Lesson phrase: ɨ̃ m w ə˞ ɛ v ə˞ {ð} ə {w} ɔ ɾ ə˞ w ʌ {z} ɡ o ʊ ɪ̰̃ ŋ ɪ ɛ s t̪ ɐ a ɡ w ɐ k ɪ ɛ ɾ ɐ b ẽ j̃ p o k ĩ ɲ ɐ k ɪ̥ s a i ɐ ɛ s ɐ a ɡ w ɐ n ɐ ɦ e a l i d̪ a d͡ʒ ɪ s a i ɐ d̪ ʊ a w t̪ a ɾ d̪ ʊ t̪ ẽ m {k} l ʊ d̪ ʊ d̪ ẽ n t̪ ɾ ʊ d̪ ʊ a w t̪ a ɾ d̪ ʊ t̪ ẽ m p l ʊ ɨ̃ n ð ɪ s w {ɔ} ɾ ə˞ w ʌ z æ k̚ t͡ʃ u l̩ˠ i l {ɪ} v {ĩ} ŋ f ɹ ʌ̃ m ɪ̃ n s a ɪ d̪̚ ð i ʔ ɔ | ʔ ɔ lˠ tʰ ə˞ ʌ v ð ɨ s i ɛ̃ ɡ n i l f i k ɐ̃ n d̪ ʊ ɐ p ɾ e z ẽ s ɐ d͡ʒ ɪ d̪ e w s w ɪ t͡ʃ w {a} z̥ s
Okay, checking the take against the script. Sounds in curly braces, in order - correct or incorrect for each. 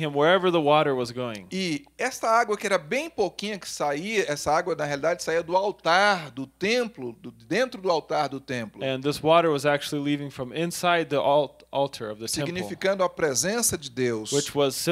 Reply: correct, correct, correct, incorrect: p, correct, incorrect: i, incorrect: ɪ̃, incorrect: ʌ

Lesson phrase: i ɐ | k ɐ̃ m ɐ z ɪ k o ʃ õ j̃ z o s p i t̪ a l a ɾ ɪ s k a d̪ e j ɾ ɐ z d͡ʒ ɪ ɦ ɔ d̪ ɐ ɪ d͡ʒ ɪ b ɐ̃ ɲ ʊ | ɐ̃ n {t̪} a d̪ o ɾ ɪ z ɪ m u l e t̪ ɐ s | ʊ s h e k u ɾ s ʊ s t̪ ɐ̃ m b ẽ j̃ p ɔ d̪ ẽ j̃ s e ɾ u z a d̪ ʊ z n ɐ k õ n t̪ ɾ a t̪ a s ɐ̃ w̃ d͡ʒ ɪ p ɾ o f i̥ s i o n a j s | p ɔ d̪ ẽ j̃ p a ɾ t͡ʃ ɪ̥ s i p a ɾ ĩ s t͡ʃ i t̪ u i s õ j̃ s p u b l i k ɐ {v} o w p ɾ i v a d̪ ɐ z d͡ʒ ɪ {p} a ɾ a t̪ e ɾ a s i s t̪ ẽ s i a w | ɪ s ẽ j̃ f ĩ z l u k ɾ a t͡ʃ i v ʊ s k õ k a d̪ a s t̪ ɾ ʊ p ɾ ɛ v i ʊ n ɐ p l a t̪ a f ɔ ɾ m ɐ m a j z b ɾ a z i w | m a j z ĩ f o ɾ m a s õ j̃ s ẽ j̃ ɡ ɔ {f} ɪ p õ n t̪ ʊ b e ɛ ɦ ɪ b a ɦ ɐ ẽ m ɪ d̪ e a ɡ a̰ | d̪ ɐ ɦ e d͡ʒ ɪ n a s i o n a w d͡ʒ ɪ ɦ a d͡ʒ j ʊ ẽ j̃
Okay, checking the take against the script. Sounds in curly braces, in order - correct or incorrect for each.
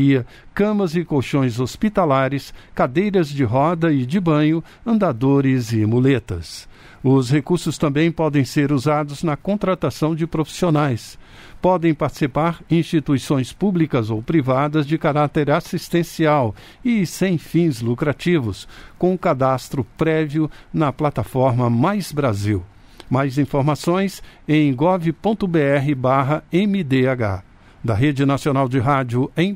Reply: incorrect: d̪, incorrect: z, incorrect: k, incorrect: v

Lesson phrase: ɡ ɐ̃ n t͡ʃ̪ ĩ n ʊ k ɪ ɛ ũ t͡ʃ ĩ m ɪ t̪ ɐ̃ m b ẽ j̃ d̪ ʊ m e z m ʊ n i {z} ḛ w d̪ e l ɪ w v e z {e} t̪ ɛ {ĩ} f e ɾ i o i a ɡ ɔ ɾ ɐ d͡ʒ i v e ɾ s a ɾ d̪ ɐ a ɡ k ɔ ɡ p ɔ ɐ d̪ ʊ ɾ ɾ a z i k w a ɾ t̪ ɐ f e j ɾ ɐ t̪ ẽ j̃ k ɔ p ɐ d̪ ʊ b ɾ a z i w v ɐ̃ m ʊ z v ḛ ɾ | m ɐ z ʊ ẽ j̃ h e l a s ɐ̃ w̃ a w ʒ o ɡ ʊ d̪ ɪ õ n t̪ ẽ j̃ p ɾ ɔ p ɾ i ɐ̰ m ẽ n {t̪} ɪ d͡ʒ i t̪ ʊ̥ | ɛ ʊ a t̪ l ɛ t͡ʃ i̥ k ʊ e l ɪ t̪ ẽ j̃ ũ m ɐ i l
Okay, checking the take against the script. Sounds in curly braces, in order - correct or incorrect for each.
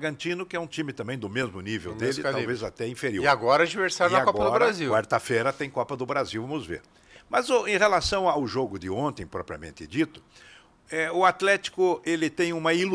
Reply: incorrect: v, incorrect: a, correct, correct

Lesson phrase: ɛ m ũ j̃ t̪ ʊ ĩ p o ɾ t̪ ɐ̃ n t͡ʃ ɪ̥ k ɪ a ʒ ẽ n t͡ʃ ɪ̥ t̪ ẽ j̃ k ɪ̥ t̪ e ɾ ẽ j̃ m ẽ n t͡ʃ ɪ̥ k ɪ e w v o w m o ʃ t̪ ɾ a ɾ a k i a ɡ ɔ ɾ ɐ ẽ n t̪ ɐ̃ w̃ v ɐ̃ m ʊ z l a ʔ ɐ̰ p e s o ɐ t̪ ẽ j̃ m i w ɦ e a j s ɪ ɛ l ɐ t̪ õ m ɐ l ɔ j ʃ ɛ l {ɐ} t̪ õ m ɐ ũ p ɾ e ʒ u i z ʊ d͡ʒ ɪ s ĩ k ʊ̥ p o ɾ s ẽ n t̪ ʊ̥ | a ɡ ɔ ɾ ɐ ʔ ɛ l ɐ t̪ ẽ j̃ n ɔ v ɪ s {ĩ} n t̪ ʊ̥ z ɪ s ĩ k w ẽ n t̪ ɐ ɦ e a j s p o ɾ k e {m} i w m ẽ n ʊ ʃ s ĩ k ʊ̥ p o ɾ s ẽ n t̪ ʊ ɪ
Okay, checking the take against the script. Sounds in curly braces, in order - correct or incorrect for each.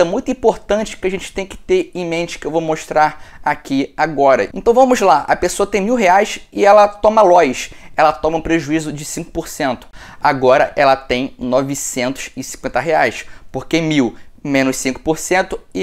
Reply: correct, incorrect: ẽ, correct

